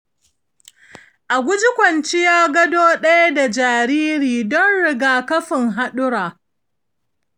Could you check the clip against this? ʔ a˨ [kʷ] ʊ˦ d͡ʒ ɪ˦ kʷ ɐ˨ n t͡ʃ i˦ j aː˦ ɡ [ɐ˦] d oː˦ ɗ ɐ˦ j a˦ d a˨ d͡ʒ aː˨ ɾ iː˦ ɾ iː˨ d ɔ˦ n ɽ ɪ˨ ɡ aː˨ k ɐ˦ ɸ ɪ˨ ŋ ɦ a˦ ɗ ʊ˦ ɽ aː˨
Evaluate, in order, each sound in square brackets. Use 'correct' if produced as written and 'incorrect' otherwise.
incorrect: ɡʷ, correct

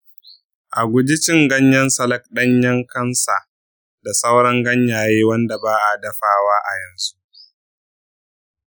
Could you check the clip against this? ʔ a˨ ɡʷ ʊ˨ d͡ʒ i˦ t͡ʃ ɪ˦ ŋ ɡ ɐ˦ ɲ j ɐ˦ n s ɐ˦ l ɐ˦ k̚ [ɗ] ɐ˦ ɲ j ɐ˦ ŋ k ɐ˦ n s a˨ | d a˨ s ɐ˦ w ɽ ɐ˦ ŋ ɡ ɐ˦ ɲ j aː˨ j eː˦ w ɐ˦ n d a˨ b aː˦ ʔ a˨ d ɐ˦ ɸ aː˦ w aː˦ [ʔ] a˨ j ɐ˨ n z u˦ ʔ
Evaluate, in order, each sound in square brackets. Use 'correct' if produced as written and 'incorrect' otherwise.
correct, correct

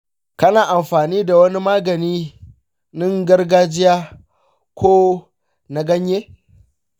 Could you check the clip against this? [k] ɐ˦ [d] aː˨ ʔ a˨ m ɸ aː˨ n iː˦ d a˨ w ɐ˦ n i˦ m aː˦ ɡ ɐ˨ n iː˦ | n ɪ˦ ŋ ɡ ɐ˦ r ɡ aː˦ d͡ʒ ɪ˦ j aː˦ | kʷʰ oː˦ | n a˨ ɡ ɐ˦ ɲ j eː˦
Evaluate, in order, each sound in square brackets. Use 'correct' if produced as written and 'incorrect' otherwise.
correct, incorrect: n

